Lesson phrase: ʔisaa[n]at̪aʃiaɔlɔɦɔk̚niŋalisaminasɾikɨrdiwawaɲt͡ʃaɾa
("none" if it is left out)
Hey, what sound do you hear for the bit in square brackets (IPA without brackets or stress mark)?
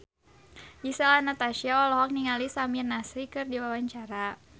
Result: n